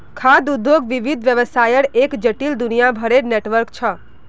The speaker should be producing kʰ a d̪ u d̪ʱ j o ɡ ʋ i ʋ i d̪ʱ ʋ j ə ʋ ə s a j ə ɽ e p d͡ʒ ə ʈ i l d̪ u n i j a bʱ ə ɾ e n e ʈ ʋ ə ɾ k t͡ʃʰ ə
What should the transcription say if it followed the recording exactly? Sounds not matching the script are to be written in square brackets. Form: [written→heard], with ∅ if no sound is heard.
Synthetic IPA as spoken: kʰ a d̪ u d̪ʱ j o ɡ ʋ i ʋ i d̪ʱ ʋ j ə ʋ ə s a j ə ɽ e [p→k] d͡ʒ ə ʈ i l d̪ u n i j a bʱ ə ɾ e n e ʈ ʋ ə ɾ k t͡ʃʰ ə